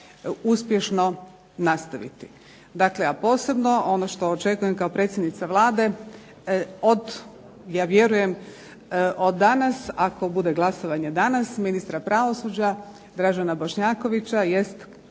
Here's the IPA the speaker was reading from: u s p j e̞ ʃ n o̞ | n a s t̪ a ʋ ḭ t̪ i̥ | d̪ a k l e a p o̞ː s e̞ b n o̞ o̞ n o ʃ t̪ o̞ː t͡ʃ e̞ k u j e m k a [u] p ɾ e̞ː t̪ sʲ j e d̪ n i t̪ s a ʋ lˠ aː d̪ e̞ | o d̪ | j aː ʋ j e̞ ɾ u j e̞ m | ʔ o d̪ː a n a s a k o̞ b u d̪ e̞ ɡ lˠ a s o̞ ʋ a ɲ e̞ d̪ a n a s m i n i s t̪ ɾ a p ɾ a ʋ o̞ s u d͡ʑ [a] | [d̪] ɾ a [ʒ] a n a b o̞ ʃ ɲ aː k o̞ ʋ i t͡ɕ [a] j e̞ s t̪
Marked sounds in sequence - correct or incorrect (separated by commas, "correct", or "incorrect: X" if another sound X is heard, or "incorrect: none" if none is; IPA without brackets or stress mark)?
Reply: incorrect: o, correct, correct, correct, correct